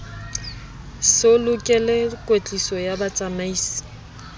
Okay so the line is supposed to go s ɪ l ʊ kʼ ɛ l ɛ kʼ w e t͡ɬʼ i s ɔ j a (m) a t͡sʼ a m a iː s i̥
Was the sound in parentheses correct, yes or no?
no